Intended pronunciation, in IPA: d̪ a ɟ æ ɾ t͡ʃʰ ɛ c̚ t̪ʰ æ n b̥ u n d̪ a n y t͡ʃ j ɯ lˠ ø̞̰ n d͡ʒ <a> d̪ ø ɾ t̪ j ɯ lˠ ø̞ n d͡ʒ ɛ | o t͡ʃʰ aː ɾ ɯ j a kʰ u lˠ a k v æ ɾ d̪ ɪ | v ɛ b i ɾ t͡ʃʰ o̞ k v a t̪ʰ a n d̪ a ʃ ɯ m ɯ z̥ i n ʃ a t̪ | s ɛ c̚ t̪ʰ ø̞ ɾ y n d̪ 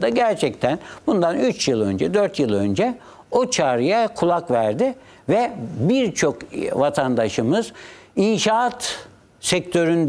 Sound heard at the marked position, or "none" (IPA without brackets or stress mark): ɛ